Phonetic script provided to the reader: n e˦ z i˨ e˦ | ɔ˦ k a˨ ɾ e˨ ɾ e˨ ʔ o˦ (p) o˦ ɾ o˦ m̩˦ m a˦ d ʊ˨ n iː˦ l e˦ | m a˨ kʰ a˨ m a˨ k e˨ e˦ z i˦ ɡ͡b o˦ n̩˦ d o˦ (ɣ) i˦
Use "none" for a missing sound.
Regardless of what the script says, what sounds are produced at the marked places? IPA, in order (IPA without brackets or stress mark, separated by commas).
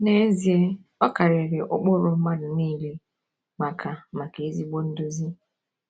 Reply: k͡p, z